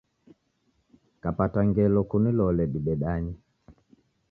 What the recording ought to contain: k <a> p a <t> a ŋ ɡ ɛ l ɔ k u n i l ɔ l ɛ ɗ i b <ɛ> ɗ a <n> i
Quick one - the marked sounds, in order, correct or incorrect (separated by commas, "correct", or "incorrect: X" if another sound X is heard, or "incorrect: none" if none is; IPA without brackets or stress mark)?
correct, correct, correct, incorrect: ɲ